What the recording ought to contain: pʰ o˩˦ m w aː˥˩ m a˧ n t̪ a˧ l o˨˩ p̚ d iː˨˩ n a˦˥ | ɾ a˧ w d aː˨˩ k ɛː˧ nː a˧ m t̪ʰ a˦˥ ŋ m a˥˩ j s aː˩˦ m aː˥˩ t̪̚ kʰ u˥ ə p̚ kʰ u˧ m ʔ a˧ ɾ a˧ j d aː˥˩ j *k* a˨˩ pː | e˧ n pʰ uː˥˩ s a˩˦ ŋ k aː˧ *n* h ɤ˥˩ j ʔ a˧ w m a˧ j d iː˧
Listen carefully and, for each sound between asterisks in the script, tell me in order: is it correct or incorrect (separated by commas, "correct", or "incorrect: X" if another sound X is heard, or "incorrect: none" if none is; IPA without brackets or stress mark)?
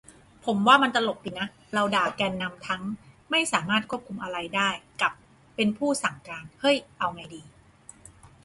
correct, correct